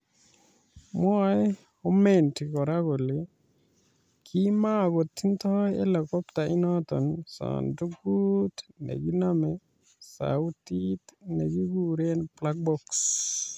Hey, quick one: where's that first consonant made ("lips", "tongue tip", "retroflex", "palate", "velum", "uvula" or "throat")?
lips